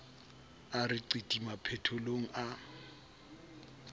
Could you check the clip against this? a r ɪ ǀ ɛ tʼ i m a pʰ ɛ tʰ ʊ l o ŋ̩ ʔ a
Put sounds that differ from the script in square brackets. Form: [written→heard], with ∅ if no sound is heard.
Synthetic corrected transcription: a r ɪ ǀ [ɛ→i] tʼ i m a pʰ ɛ tʰ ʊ l o ŋ̩ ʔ a